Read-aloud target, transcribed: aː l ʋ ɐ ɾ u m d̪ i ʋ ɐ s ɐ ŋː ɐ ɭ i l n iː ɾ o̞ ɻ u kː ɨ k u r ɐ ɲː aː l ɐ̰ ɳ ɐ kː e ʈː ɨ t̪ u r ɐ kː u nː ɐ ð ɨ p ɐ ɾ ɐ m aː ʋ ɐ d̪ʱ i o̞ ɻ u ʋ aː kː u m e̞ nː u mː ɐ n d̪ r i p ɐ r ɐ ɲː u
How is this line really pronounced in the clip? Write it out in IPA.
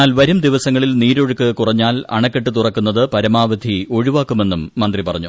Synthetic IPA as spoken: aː l ʋ ɐ ɾ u m d̪ i ʋ ɐ s ɐ ŋː ɐ ɭ i l n iː ɾ o̞ ɻ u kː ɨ k u r ɐ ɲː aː l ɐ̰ ɳ ɐ kː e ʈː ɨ t̪ u r ɐ kː u nː ɐ ð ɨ p ɐ ɾ ɐ m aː ʋ ɐ d̪ʱ i o̞ ɻ u ʋ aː kː u m e̞ nː u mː ɐ n d̪ r i p ɐ r ɐ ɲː u